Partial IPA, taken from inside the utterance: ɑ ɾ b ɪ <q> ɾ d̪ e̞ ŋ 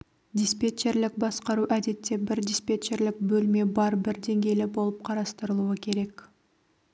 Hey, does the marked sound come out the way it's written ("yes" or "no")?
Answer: no